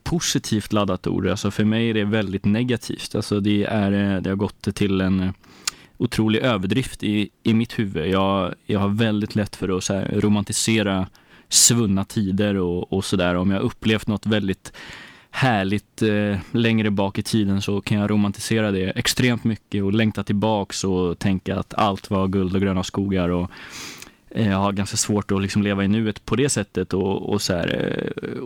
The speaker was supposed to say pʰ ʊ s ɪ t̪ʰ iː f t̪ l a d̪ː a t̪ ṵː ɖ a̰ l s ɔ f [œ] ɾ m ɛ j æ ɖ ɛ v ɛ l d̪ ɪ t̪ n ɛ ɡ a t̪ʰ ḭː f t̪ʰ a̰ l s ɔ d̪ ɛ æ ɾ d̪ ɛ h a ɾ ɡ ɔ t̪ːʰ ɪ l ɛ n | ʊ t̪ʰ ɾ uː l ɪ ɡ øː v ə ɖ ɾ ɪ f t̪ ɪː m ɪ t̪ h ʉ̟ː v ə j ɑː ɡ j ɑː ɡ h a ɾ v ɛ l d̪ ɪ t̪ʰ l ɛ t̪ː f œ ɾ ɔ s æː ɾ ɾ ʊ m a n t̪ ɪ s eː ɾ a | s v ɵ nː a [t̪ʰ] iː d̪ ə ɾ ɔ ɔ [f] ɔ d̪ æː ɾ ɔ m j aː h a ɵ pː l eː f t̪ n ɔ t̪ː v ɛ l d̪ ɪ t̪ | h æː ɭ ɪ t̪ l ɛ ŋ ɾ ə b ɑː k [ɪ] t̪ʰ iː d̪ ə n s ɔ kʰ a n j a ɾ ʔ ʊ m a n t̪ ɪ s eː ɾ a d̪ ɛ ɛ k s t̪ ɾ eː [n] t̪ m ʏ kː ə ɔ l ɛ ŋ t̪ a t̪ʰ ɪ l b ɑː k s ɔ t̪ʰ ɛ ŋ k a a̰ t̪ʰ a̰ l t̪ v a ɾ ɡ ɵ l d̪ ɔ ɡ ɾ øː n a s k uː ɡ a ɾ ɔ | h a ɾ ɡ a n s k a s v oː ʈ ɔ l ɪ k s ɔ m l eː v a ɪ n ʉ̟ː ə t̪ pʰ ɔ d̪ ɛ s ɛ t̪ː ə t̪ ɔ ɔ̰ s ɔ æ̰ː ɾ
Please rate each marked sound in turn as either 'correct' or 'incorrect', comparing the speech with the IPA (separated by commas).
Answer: correct, correct, incorrect, correct, incorrect